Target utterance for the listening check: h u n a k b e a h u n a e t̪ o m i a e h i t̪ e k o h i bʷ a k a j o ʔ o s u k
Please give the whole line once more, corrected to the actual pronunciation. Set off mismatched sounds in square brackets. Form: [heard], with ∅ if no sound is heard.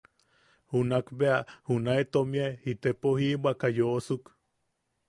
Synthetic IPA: h u n a k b e a h u n a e t̪ o m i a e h i t̪ e [p] o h i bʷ a k a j o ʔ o s u k